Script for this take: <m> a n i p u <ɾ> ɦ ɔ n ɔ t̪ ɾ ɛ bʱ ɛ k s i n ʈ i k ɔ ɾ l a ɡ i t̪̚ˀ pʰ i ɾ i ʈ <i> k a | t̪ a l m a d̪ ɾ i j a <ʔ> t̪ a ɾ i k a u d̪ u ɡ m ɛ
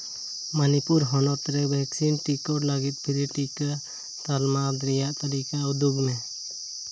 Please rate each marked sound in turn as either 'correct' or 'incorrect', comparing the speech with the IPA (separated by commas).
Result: correct, correct, correct, correct